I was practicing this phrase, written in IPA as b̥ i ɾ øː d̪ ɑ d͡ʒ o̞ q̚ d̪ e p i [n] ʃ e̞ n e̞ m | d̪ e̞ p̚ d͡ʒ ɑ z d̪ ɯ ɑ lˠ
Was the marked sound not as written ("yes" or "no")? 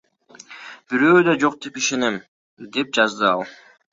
yes